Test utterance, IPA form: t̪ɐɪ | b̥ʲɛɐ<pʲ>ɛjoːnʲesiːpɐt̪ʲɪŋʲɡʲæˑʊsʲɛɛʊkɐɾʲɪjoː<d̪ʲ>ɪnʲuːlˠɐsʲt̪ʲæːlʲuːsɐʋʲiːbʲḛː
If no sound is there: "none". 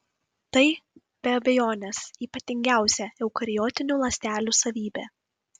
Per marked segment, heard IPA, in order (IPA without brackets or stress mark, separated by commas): bʲ, t̪ʲ